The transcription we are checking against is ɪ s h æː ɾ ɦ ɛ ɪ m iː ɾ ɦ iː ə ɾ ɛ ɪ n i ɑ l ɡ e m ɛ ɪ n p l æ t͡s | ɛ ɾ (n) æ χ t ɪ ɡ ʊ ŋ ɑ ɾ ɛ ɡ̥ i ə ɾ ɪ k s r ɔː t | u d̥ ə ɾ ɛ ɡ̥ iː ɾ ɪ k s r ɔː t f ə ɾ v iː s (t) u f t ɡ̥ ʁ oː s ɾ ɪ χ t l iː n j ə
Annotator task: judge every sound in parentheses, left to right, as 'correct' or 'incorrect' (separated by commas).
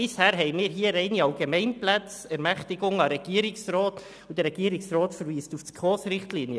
incorrect, correct